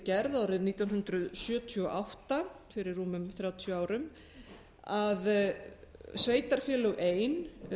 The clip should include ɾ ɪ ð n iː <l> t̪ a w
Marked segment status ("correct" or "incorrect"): incorrect